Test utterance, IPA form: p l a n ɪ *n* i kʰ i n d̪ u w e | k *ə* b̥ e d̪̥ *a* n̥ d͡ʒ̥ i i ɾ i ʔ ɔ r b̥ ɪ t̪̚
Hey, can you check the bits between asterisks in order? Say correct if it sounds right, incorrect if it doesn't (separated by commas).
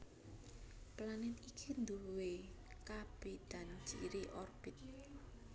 correct, incorrect, correct